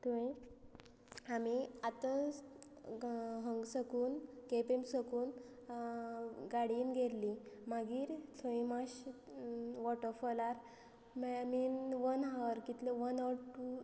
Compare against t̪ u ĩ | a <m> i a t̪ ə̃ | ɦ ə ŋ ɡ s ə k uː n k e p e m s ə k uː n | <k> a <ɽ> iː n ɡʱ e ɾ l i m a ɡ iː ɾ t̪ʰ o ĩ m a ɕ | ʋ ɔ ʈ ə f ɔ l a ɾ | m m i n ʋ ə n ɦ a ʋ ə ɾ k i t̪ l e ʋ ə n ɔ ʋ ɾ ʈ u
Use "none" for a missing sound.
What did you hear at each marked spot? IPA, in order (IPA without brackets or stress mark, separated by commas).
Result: m, ɡ, ɽ